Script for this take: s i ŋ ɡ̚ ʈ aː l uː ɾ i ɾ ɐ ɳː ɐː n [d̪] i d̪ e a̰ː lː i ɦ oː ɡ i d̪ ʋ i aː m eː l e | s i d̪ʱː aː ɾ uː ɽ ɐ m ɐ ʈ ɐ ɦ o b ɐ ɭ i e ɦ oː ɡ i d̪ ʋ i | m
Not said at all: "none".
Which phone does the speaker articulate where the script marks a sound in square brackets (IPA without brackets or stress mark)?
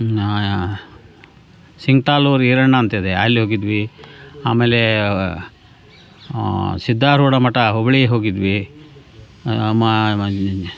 t̪